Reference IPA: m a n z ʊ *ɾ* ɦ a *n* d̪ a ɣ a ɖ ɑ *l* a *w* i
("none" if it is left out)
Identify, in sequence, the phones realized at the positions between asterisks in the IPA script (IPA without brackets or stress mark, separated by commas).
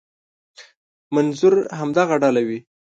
ɾ, m, l, w